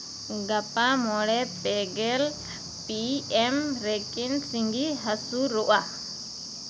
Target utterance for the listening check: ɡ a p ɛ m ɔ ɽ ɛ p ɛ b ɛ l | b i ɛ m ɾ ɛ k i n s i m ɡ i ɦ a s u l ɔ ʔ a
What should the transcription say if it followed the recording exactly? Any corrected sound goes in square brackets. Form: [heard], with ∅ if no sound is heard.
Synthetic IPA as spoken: ɡ a p [a] m ɔ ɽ ɛ p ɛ [ɡ] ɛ l | [p] i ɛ m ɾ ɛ k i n s i [ŋ] ɡ i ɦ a s u [ɾ] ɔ ʔ a